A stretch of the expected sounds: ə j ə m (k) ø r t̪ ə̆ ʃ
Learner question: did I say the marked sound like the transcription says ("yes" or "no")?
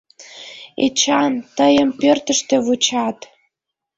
no